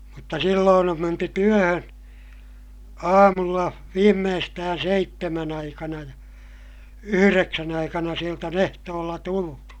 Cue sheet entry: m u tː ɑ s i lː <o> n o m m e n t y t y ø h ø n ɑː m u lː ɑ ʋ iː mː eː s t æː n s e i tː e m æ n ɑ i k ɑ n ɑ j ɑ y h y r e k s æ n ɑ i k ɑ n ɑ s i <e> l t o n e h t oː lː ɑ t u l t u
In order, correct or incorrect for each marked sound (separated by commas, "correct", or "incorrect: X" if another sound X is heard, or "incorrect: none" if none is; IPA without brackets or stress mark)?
incorrect: oː, correct